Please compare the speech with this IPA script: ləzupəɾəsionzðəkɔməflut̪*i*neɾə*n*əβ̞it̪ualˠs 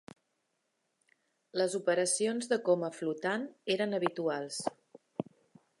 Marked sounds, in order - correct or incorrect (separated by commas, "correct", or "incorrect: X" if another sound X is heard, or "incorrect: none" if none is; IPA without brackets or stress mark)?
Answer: incorrect: a, correct